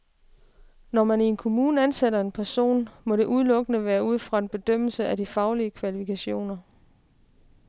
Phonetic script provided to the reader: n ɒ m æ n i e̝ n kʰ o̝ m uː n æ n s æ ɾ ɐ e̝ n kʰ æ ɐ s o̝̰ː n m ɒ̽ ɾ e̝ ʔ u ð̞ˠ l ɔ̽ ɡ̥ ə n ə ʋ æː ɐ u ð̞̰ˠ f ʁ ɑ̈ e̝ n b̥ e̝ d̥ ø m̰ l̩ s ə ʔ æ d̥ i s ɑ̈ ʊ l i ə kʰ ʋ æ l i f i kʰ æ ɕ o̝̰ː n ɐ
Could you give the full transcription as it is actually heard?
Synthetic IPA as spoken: n ɒ m æ n i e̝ n kʰ o̝ m uː n æ n s e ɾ ɐ e̝ n pʰ æ ɐ s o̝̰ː n m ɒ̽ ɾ e̝ ʔ u ð̞ˠ l ɔ̽ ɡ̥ ə n ə ʋ æː ɐ u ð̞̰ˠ f ʁ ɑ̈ e̝ n b̥ e̝ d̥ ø m̰ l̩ s ə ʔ æ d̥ i f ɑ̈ ʊ l i ə kʰ ʋ æ l i f i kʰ æ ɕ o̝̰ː n ɐ